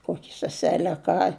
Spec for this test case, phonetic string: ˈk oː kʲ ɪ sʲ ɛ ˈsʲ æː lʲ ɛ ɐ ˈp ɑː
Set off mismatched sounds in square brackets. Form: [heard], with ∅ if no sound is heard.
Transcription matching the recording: ˈk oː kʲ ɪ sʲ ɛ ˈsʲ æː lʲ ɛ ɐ [ˈk] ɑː